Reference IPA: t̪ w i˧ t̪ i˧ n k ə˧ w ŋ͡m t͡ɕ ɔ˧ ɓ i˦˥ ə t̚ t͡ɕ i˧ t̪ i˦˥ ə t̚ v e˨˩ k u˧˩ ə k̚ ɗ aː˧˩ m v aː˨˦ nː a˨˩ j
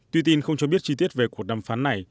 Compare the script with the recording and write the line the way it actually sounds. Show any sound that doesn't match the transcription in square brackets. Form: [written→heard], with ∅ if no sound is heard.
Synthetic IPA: t̪ w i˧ t̪ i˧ n [k→x] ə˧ w ŋ͡m t͡ɕ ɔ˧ ɓ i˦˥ ə t̚ t͡ɕ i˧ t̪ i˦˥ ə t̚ v e˨˩ k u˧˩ ə k̚ ɗ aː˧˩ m [v→f] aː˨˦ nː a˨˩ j